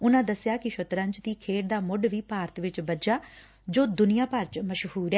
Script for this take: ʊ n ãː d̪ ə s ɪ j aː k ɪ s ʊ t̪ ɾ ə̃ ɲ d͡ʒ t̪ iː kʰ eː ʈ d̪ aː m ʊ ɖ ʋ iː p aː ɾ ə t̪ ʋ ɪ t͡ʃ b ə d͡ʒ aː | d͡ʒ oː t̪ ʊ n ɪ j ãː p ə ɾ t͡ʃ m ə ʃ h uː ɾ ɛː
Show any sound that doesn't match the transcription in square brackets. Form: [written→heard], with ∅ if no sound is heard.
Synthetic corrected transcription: ʊ n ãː d̪ ə s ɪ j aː k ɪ [s→ʃ] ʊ t̪ ɾ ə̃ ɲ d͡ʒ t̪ iː kʰ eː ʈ d̪ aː m ʊ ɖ ʋ iː p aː ɾ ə t̪ ʋ ɪ t͡ʃ b ə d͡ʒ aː | d͡ʒ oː [t̪→d̪] ʊ n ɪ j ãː p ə ɾ t͡ʃ m ə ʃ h uː ɾ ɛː